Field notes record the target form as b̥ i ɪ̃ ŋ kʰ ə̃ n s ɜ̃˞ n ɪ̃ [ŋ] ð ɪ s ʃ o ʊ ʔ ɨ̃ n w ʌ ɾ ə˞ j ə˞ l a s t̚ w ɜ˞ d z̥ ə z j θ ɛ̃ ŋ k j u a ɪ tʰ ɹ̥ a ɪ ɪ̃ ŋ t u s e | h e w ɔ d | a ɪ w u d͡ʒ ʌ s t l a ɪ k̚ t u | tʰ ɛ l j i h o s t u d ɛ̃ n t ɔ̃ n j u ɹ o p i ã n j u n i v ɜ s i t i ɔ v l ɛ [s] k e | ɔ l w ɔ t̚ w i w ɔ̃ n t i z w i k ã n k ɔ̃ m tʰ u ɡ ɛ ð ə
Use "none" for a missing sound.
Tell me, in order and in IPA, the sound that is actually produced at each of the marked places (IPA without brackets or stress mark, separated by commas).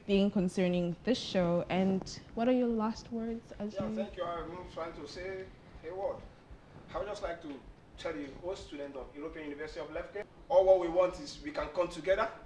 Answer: ŋ, f